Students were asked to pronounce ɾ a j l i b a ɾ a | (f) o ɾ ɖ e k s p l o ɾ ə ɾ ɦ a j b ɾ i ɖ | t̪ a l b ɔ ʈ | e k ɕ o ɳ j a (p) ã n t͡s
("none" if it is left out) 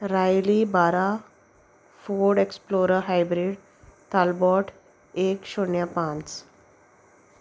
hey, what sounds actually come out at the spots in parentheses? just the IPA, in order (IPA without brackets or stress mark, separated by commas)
f, p